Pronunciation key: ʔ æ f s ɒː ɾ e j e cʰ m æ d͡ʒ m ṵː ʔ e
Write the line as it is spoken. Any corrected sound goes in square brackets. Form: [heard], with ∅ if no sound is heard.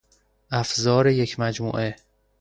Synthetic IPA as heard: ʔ æ f [z] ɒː ɾ e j e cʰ m æ d͡ʒ m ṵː ʔ e